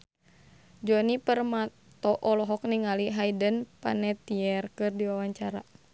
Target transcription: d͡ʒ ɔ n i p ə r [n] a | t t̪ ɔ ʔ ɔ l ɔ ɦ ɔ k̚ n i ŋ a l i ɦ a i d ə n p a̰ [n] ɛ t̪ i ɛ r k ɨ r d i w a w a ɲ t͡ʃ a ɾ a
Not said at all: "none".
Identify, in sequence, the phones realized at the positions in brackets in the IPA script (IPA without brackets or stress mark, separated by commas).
m, n